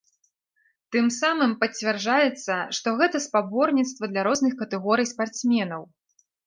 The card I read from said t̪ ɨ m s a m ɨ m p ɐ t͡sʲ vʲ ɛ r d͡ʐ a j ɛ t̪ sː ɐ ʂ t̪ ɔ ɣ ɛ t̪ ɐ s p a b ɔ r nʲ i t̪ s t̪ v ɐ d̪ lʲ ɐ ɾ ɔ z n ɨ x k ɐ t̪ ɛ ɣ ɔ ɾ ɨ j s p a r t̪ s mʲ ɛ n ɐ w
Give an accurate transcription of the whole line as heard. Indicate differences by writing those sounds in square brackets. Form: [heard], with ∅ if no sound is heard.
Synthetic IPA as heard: t̪ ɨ m s a m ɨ m p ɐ t͡sʲ vʲ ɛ r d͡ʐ a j ɛ t̪ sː ɐ ʂ t̪ ɔ ɣ ɛ t̪ ɐ s p a b ɔ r nʲ i t̪ s t̪ v ɐ d̪ lʲ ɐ ɾ ɔ z n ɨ x k ɐ t̪ ɛ ɣ ɔ ɾ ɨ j s p a r t̪ s mʲ ɛ n ɐ w